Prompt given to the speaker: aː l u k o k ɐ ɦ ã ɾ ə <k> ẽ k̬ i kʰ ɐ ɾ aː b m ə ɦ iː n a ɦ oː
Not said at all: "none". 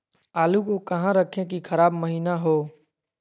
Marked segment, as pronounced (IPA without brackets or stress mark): kʰ